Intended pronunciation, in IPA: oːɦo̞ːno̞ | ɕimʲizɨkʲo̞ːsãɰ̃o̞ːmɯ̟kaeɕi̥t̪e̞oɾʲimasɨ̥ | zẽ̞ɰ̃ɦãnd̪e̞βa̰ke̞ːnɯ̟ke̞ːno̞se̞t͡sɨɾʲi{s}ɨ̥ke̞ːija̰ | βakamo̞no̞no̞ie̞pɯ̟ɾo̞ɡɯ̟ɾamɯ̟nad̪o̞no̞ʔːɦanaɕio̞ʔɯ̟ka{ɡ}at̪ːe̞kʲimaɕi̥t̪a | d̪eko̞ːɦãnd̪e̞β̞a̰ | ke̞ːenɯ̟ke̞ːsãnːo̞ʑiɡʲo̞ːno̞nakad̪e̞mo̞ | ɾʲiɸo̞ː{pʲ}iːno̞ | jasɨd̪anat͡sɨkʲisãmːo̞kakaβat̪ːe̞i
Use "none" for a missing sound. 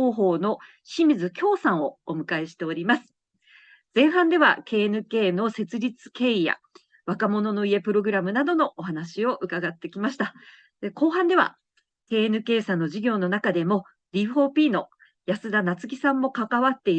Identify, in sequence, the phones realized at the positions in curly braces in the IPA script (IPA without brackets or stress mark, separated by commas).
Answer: t͡s, ɡ, pʲ